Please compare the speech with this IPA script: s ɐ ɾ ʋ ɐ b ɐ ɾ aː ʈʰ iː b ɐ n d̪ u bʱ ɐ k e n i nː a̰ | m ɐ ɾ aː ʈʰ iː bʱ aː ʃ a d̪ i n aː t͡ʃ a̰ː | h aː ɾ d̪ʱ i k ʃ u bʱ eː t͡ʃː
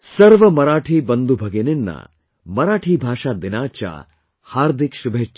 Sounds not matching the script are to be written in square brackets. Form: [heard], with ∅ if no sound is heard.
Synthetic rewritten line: s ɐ ɾ ʋ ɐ [m] ɐ ɾ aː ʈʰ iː b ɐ n d̪ u bʱ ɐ [ɡ] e n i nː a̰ | m ɐ ɾ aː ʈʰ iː bʱ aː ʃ a d̪ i n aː t͡ʃ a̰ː | h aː ɾ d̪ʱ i k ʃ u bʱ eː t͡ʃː